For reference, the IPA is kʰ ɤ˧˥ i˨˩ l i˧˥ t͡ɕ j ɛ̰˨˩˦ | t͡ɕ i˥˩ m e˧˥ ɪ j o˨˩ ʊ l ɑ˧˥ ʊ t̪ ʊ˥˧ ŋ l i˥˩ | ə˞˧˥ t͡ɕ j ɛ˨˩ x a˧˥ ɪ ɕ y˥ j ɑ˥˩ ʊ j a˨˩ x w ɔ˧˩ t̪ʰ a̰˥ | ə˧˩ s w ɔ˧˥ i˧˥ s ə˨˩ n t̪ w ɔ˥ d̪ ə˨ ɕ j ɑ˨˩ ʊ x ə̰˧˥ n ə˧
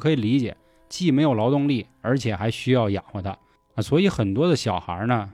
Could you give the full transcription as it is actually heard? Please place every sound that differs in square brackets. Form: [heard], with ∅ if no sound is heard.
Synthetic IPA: kʰ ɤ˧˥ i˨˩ l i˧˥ t͡ɕ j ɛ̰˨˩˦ | t͡ɕ i˥˩ m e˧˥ ɪ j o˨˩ ʊ l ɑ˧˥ ʊ t̪ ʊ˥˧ ŋ l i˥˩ | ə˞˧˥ [t͡ɕʰ] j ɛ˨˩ x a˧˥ ɪ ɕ y˥ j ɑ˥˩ ʊ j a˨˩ x w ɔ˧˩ t̪ʰ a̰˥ | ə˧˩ s w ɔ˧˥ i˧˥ [x] ə˨˩ n t̪ w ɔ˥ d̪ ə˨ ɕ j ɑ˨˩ ʊ x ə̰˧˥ n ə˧